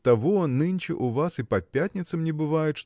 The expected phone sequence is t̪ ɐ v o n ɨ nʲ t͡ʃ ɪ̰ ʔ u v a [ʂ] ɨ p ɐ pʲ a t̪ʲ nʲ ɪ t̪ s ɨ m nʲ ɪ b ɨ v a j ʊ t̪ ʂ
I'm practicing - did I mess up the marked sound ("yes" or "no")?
yes